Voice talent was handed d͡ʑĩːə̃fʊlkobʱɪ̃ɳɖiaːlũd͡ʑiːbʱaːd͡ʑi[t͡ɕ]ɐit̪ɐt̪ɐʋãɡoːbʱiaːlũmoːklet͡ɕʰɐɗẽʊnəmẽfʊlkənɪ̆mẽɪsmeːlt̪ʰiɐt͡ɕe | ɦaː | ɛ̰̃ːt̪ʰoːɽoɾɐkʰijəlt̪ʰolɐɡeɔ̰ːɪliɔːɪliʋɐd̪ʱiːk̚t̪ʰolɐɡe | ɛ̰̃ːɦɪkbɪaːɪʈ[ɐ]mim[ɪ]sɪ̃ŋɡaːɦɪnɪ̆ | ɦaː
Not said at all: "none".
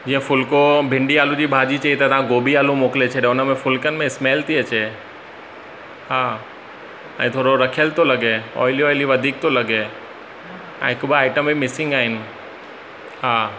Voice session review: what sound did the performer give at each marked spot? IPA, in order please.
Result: t͡ɕ, ə, ɪ

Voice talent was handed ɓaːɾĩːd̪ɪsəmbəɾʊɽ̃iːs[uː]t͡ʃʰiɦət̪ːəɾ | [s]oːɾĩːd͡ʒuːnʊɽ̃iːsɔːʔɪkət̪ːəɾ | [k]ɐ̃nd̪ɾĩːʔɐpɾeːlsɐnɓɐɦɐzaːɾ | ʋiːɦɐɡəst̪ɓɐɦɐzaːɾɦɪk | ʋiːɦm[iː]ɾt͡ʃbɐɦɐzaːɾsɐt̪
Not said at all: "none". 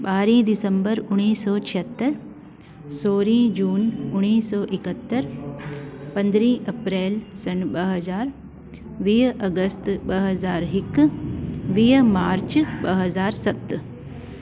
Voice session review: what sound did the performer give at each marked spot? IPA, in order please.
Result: ɔː, s, p, aː

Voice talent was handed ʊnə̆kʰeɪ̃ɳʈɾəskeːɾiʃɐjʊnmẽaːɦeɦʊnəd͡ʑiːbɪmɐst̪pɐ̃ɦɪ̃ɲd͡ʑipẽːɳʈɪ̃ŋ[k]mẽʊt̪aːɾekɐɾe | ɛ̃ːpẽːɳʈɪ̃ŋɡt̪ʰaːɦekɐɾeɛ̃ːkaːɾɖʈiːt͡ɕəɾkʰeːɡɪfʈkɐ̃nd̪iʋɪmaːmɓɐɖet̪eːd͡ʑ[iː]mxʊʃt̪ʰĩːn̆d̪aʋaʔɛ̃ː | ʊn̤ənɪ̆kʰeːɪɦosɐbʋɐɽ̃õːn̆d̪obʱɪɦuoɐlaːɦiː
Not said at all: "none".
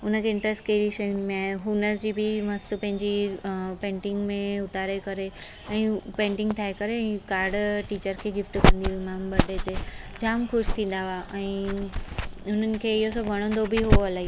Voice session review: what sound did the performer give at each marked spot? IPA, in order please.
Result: ɡ, aː

